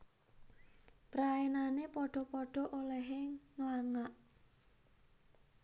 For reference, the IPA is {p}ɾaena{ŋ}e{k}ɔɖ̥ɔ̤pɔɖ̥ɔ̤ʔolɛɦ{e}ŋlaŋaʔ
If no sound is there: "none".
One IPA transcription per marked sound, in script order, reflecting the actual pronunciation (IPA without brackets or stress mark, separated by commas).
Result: p, n, p, e